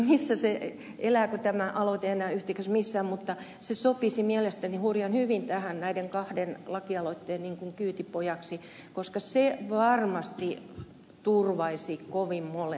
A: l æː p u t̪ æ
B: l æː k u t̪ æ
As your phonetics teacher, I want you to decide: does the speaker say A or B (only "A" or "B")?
B